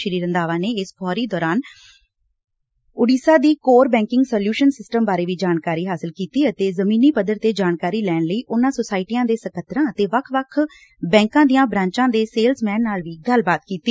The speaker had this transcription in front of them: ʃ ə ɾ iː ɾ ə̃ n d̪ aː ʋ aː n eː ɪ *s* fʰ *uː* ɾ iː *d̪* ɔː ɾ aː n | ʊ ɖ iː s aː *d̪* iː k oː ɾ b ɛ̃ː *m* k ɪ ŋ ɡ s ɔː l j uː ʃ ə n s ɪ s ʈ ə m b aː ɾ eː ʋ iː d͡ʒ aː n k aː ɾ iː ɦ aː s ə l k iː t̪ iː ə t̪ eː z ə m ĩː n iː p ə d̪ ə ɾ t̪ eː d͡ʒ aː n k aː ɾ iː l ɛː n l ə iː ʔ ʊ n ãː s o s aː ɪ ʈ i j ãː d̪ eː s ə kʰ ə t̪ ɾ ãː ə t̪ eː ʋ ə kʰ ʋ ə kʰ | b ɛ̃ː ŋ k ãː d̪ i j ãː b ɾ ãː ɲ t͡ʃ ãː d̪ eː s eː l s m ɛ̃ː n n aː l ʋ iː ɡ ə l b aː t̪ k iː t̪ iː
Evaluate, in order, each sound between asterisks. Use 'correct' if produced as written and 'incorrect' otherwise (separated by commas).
correct, incorrect, correct, correct, incorrect